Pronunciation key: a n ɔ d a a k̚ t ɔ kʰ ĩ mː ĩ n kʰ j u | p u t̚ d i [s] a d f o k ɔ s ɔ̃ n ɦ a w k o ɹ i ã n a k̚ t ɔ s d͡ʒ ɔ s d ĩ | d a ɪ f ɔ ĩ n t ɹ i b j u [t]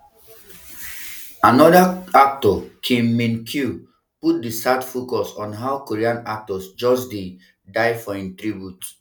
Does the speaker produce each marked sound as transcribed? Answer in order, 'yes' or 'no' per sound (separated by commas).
yes, yes